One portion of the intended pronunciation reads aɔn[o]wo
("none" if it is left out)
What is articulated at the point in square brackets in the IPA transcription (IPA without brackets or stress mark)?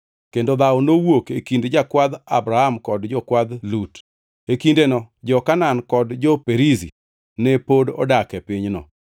o